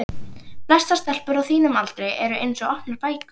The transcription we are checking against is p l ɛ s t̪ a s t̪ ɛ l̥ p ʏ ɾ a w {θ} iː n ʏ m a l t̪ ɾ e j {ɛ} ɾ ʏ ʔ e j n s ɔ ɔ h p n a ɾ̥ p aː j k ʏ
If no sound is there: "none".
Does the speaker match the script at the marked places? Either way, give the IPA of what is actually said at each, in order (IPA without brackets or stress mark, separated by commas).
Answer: θ, ɛ